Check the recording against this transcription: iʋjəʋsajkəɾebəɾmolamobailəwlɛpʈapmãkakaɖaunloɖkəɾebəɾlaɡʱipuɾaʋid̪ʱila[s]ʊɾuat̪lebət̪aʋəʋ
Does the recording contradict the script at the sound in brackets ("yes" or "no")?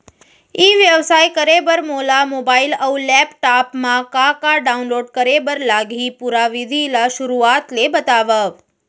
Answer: yes